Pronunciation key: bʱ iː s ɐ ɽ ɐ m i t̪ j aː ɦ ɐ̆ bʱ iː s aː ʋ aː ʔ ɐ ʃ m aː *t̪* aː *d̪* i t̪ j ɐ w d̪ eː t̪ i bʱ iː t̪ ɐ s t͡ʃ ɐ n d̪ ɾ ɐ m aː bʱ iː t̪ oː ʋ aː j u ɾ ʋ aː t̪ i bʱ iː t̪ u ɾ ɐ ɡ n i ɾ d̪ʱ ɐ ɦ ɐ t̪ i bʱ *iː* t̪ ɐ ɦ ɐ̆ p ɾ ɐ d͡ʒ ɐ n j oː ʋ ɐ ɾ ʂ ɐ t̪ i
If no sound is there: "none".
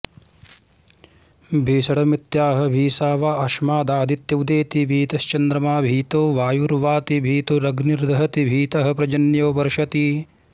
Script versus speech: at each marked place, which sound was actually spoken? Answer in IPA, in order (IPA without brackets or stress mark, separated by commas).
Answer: d̪, d̪, iː